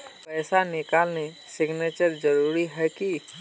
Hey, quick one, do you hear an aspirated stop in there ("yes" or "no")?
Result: no